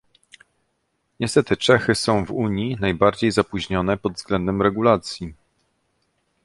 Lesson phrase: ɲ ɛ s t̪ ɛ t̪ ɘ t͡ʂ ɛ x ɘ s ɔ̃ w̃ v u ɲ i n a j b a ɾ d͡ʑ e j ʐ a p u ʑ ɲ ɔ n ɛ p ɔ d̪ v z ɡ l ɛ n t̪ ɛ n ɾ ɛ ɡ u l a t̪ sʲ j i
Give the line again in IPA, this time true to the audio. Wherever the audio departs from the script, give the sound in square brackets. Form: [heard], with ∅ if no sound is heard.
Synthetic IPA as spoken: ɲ ɛ s t̪ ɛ t̪ ɘ t͡ʂ ɛ x ɘ s ɔ̃ w̃ v u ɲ i n a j b a ɾ d͡ʑ e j [z] a p u ʑ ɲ ɔ n ɛ p ɔ d̪ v z ɡ l ɛ n [d̪] ɛ [m] ɾ ɛ ɡ u l a t̪ sʲ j i